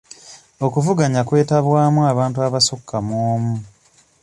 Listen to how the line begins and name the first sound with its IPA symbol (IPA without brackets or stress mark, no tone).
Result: o̞